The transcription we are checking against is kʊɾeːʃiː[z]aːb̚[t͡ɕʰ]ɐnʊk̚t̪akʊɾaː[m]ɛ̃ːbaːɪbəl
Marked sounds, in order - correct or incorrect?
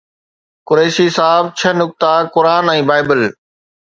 incorrect, correct, incorrect

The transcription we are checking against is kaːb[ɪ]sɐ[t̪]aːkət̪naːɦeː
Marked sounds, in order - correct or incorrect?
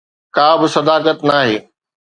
correct, incorrect

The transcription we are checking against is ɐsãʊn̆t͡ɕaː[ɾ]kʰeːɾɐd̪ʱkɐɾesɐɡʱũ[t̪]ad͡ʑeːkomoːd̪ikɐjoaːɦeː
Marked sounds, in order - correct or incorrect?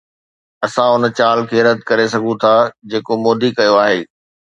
incorrect, incorrect

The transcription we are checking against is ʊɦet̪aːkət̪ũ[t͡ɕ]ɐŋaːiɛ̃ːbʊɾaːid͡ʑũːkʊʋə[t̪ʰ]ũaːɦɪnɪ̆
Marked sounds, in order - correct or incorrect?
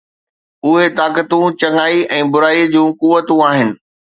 correct, incorrect

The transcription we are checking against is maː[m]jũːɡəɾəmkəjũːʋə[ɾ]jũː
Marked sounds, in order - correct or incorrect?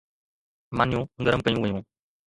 incorrect, incorrect

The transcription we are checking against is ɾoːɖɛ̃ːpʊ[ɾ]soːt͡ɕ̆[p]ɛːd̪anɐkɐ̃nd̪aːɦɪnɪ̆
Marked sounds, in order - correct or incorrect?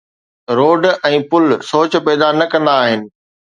incorrect, correct

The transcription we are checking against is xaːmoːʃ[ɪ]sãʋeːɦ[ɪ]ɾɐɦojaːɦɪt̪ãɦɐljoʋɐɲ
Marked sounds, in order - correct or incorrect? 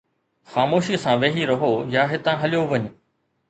incorrect, incorrect

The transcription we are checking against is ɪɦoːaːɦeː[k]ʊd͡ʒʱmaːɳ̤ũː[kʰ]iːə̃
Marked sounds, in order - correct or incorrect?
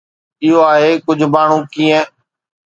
correct, incorrect

